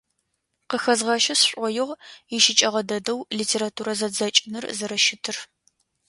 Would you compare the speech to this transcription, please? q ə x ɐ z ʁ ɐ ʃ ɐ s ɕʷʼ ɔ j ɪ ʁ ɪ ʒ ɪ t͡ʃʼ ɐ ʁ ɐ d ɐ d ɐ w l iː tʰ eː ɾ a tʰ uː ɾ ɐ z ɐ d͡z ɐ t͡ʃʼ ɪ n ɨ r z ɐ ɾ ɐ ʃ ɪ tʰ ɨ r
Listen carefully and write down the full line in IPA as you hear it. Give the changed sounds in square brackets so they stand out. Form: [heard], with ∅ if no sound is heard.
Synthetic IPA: q ə x ɐ z ʁ ɐ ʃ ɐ s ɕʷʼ ɔ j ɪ ʁ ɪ [ʃ] ɪ t͡ʃʼ ɐ ʁ ɐ d ɐ d ɐ w l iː tʰ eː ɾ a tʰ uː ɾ ɐ z ɐ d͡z ɐ t͡ʃʼ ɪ n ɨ r z ɐ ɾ ɐ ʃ ɪ tʰ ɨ r